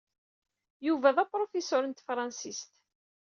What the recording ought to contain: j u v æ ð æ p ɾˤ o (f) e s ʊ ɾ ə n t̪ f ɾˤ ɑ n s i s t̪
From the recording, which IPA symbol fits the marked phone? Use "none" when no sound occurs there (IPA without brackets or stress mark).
f